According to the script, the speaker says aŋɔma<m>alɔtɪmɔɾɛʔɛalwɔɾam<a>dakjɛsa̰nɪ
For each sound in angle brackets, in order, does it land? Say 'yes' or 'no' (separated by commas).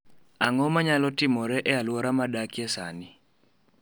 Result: no, yes